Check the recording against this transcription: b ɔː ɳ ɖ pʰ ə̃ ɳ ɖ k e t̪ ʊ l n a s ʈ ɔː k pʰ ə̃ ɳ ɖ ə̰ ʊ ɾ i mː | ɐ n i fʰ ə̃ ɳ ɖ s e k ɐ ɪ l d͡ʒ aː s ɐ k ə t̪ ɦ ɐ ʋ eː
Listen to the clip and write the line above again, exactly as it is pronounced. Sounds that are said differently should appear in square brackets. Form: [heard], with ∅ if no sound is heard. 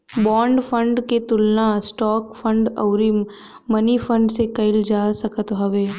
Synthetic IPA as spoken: b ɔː ɳ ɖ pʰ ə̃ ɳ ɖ k e t̪ ʊ l n a s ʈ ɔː k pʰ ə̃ ɳ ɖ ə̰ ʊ ɾ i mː | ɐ n i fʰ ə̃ ɳ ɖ s e k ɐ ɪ l d͡ʒ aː s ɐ k ə t̪ ɦ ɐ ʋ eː